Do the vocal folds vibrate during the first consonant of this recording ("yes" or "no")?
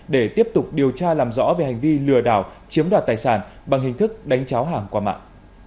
yes